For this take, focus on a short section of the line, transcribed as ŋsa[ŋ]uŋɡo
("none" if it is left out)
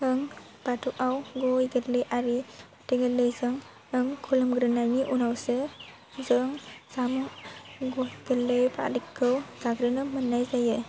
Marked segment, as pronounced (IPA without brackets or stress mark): m